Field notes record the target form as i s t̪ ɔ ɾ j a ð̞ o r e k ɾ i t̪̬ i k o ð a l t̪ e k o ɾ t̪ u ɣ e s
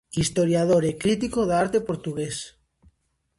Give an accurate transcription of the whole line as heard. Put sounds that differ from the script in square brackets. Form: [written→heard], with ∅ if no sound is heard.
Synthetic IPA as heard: i s t̪ [ɔ→o] ɾ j a ð̞ o [r→ɾ] e k ɾ i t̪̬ i k o ð a [l→ɾ] t̪ e [k→p] o ɾ t̪ u ɣ e s